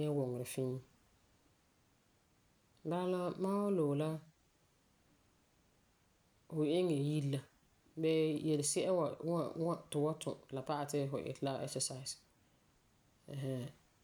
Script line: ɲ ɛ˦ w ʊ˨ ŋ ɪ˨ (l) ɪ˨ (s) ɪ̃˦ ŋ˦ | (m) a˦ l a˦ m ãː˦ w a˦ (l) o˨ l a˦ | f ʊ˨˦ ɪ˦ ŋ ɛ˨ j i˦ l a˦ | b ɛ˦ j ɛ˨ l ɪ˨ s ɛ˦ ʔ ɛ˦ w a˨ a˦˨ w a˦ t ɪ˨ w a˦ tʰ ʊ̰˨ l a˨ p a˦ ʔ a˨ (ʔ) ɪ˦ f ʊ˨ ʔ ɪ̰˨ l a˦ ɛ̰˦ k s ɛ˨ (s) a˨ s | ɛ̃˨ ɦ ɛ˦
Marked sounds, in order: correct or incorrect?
incorrect: ɾ, incorrect: f, incorrect: b, correct, incorrect: t, correct

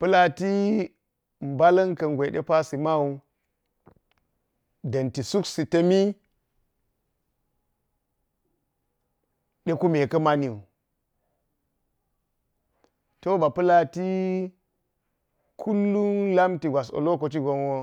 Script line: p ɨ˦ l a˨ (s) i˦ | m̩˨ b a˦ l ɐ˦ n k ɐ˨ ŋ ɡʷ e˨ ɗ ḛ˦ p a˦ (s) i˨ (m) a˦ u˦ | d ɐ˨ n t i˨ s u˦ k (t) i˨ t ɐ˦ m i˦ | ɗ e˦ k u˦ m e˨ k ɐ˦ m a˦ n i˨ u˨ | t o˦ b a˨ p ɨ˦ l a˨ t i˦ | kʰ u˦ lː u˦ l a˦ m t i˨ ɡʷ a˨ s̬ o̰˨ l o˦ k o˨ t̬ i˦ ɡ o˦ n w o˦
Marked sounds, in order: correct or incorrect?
incorrect: t, correct, correct, incorrect: s

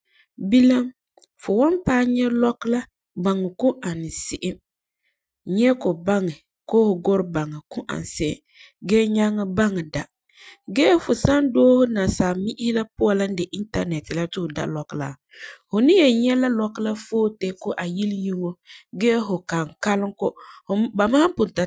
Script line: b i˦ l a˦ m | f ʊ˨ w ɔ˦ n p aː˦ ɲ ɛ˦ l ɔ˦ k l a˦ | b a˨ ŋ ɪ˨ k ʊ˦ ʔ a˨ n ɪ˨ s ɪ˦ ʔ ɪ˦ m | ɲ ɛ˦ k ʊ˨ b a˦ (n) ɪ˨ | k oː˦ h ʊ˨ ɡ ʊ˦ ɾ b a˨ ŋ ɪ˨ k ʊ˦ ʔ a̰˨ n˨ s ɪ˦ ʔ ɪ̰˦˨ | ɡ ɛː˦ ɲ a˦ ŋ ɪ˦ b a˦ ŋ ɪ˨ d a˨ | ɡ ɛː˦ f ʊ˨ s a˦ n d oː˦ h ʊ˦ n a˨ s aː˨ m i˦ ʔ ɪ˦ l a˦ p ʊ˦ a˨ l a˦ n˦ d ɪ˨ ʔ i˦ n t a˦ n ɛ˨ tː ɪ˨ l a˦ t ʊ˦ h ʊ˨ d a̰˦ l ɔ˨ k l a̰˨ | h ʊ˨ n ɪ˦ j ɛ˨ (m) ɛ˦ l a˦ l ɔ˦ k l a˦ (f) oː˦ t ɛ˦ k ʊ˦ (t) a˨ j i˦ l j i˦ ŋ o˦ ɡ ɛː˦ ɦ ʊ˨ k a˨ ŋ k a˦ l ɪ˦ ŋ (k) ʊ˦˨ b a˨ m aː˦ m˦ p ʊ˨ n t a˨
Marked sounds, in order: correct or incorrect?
incorrect: ŋ, incorrect: ɲ, correct, incorrect: ʔ, correct

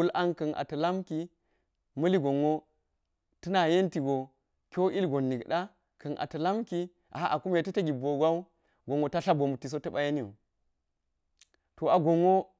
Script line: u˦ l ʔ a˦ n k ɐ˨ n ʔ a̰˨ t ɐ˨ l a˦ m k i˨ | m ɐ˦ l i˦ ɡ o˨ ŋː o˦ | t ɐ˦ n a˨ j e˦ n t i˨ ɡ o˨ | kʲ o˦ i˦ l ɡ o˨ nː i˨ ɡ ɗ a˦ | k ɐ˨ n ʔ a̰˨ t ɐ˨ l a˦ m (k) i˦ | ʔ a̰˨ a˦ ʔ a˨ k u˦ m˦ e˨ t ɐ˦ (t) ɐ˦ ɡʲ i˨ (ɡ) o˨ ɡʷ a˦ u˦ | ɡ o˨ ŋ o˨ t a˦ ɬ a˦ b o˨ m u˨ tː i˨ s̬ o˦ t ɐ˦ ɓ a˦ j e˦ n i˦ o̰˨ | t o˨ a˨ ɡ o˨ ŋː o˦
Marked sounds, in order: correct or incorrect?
correct, correct, incorrect: b

